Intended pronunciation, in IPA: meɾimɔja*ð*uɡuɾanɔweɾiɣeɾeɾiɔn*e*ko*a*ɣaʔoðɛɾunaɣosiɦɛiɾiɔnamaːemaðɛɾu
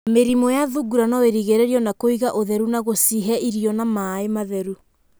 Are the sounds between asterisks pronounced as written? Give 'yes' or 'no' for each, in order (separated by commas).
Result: yes, no, no